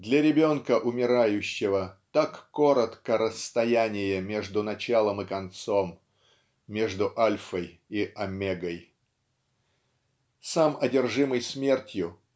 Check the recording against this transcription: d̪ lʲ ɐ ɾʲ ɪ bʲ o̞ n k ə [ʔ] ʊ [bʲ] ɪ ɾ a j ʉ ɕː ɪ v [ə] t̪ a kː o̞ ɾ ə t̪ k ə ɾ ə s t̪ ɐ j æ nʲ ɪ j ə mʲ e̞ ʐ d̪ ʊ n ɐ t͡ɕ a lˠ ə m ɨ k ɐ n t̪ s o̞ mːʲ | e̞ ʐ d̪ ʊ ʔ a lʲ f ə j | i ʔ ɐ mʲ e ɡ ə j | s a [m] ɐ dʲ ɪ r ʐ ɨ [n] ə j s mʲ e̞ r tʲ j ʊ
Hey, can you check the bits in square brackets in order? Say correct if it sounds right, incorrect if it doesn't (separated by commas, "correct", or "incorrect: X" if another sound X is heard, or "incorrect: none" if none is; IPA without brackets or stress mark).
correct, incorrect: mʲ, correct, correct, incorrect: m